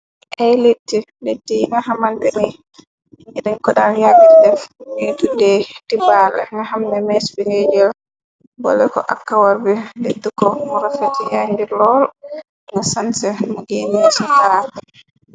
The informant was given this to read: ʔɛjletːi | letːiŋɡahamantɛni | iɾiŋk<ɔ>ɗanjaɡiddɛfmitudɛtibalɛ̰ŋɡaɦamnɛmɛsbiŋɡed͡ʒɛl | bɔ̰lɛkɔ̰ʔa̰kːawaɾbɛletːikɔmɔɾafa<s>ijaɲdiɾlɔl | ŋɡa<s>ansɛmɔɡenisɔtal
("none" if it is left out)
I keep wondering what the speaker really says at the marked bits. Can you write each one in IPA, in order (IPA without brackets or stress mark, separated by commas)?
ɔ, t, s